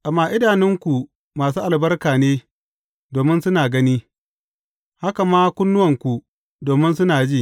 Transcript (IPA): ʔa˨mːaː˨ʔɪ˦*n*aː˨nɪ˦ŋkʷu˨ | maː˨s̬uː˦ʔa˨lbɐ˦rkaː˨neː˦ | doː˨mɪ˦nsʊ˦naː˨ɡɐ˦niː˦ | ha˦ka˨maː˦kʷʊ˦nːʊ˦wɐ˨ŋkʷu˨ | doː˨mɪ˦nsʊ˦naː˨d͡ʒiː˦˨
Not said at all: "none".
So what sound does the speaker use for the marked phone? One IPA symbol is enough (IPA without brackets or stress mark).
d